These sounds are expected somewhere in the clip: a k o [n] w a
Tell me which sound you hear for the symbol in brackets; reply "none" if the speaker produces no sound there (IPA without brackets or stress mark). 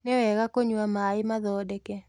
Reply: ɲ